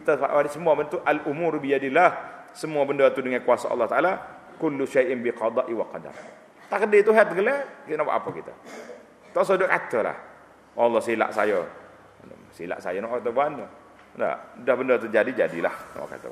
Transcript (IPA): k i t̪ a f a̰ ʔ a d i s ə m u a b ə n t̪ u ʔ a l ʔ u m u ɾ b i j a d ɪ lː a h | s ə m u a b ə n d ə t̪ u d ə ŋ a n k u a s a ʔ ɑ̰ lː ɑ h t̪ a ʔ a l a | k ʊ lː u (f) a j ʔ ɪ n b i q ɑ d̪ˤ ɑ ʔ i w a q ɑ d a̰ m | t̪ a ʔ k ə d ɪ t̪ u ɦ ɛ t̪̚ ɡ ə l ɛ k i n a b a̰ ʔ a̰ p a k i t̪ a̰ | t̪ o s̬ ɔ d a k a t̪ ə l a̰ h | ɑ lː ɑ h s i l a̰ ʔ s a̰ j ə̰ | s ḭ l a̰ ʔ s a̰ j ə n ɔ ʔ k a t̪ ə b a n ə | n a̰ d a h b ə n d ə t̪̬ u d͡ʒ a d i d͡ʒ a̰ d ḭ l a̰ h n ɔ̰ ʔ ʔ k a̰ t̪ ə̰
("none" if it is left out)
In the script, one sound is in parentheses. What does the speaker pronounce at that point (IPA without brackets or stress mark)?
ʃ